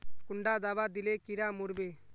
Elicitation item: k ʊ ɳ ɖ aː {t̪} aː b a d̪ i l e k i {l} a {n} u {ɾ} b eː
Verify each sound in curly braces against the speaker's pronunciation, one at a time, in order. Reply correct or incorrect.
incorrect: d̪, incorrect: ɾ, incorrect: m, correct

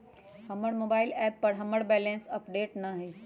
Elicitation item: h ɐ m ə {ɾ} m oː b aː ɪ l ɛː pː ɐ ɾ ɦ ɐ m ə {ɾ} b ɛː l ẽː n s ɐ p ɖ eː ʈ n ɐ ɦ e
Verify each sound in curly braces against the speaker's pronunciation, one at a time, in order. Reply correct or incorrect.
incorrect: ɽ, incorrect: ɽ

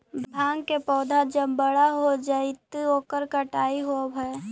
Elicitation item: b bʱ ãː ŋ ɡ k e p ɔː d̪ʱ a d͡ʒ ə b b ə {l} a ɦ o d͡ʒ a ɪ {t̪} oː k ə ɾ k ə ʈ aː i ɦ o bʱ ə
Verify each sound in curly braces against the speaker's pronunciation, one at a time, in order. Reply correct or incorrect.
incorrect: ɽ, correct

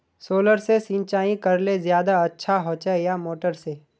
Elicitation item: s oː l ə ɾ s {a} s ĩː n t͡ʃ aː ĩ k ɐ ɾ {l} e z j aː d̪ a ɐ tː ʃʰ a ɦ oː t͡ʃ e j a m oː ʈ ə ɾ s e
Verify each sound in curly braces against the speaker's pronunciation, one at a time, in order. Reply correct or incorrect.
incorrect: e, correct

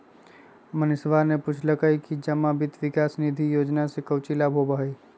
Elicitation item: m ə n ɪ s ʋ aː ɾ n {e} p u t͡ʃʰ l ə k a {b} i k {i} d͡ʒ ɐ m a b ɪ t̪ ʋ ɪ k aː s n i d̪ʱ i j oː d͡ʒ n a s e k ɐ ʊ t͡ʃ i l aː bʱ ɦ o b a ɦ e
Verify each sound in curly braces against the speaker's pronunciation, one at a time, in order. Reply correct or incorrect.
correct, incorrect: none, correct

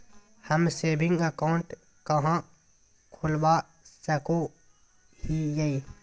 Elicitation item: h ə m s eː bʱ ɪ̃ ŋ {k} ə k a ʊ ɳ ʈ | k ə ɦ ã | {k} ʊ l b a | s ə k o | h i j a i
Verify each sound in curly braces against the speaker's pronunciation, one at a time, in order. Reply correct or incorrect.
incorrect: ɡ, incorrect: kʰ

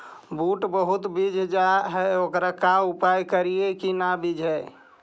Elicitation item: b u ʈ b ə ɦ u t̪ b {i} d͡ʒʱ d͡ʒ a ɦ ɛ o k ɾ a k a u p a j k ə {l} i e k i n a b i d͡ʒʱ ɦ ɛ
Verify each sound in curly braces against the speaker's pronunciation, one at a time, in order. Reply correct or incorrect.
correct, incorrect: ɾ

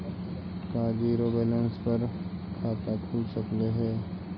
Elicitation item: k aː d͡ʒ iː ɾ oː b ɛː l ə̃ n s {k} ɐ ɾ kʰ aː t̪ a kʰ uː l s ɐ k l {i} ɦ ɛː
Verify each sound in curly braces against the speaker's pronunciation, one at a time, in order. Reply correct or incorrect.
incorrect: p, incorrect: e

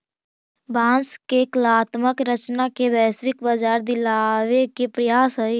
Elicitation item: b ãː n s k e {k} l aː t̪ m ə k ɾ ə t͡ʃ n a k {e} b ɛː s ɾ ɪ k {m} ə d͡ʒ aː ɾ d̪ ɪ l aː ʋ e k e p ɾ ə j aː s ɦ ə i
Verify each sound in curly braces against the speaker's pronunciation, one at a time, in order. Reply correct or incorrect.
correct, correct, incorrect: b

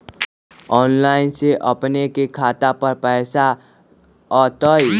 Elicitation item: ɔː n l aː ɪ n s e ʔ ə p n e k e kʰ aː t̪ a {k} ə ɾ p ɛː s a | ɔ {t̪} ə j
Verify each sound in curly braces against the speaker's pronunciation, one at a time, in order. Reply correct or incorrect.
incorrect: p, correct

